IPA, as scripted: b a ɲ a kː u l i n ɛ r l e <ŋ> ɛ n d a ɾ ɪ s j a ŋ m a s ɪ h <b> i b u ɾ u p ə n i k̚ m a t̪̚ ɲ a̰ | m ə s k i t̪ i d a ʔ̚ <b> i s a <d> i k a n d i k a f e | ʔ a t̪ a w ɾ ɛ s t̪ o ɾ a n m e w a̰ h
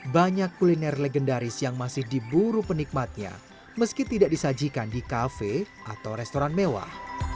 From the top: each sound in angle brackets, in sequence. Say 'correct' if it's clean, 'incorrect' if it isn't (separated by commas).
incorrect, incorrect, incorrect, incorrect